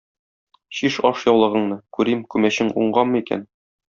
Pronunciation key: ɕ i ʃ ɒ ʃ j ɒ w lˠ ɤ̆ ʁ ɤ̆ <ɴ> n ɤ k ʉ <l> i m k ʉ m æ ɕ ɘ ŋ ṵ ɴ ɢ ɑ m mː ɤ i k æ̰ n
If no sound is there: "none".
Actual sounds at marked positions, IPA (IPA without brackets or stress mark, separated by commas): ɴ, ɾ